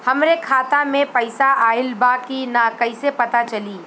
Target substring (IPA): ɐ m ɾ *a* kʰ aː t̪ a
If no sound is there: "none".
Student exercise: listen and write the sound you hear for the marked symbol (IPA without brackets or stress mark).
e